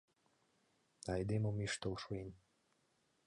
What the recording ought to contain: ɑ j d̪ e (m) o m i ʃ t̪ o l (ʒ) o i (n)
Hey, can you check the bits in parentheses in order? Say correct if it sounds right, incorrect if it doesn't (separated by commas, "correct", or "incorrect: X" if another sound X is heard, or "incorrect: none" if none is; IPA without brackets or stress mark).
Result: correct, incorrect: ʃ, correct